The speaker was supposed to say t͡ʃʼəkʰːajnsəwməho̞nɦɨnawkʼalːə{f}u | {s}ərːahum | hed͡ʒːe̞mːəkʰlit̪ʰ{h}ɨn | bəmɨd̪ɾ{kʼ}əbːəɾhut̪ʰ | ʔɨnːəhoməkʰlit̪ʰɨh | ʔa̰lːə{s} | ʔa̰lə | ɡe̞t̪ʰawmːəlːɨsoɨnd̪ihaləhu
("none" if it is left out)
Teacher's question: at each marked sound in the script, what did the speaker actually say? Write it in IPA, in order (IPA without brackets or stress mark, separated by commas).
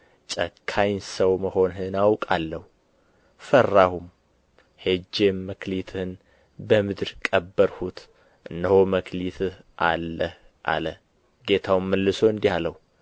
h, f, h, kʼ, h